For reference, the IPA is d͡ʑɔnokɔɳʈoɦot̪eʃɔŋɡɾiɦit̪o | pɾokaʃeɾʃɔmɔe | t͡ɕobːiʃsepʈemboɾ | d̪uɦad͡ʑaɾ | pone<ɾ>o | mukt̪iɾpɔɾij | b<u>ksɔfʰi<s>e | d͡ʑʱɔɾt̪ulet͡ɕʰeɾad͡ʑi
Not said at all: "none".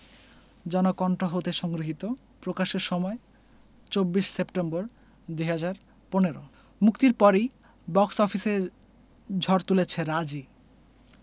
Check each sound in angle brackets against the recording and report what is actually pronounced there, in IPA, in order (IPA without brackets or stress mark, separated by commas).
ɾ, ɔ, s